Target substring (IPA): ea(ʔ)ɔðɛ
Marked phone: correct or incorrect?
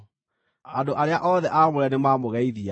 correct